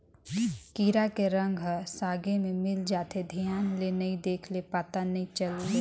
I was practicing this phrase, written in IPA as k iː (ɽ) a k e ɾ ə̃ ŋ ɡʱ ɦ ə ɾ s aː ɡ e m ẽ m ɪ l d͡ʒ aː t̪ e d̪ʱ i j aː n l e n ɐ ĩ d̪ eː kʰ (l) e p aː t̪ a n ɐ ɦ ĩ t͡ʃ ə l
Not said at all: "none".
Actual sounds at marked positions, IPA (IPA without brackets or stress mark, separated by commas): ɾ, l